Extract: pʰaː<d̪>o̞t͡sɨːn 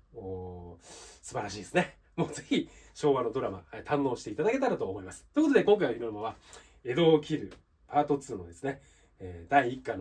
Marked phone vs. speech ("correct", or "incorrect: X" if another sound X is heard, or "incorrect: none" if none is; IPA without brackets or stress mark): incorrect: t̪